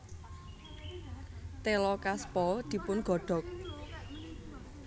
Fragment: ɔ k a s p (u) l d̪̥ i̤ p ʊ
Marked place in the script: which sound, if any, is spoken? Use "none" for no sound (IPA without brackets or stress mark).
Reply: ɔ